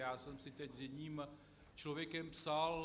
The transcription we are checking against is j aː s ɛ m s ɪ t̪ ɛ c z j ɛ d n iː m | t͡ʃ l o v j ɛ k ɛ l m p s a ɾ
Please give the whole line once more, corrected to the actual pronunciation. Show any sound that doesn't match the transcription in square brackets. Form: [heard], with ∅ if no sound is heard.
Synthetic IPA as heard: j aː s ɛ m s ɪ t̪ ɛ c z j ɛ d [ɲ] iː m | t͡ʃ l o v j ɛ k ɛ [∅] m p s a [l]